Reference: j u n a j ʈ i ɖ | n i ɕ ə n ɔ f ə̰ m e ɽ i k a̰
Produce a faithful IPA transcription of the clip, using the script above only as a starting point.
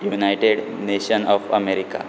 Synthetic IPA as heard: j u n a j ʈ e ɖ | n e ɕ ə n ɔ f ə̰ m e ɾ i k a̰